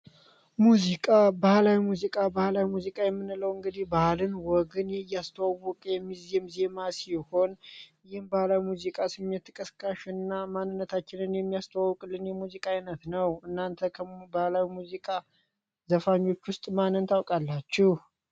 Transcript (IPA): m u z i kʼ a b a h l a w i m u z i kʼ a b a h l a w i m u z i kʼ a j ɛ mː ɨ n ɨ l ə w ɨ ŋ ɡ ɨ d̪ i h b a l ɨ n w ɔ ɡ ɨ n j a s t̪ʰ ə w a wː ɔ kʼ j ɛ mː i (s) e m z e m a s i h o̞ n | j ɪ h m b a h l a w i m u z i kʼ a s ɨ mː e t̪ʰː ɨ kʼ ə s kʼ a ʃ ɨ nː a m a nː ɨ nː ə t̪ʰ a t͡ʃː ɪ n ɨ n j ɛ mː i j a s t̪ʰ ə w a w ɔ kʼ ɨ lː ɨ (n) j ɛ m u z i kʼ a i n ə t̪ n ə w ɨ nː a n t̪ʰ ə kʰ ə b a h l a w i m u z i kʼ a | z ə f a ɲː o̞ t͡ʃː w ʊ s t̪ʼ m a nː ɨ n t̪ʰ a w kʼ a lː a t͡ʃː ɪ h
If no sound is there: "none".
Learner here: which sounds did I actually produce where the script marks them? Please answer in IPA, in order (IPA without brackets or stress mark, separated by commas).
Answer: z, n